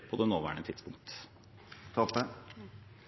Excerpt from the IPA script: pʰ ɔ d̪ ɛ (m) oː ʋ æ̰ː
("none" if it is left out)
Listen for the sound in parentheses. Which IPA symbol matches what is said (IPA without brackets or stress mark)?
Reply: n